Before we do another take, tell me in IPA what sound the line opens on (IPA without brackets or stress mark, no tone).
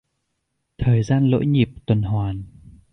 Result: t̪ʰ